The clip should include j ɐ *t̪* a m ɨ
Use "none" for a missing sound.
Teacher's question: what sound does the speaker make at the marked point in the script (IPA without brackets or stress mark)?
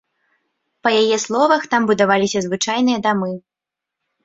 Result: d̪